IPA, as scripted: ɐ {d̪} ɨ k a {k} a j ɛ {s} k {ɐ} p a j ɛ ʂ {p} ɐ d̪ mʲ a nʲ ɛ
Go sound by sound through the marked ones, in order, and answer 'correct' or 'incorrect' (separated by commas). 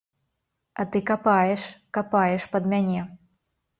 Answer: incorrect, incorrect, incorrect, incorrect, correct